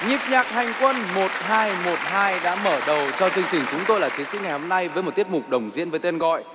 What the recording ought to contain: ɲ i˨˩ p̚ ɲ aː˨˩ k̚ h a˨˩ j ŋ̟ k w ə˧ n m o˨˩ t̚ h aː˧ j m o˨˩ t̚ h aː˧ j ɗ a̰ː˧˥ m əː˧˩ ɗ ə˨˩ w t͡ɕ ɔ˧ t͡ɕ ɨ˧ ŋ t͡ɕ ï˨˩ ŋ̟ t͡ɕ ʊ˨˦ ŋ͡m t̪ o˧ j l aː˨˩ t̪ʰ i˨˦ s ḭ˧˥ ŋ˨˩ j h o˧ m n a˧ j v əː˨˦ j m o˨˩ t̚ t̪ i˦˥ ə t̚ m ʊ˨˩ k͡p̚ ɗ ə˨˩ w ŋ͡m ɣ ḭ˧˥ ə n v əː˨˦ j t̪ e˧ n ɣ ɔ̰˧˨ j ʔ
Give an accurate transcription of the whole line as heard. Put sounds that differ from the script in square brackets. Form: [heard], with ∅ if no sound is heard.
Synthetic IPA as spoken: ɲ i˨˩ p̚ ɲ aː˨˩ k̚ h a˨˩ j ŋ̟ k w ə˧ n m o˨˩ t̚ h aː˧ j m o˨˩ t̚ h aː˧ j ɗ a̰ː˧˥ m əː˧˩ ɗ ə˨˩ w t͡ɕ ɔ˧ t͡ɕ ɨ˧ ŋ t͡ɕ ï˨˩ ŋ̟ t͡ɕ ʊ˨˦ ŋ͡m t̪ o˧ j l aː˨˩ t̪ʰ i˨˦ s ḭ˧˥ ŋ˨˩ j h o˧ m n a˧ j v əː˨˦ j m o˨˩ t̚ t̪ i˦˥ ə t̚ m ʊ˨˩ k͡p̚ ɗ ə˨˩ w ŋ͡m [z] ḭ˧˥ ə n v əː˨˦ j t̪ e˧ n ɣ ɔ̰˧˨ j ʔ